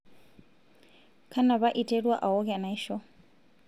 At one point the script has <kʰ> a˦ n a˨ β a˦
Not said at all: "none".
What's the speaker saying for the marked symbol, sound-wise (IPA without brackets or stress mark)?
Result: kʰ